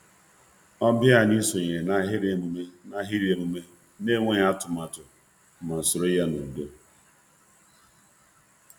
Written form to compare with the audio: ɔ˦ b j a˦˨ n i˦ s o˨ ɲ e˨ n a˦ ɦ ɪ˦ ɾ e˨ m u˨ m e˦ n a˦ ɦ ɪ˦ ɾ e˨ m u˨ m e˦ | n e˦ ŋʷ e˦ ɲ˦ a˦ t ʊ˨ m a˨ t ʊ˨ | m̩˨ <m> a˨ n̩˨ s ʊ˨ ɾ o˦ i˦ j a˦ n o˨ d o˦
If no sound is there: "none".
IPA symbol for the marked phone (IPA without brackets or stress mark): m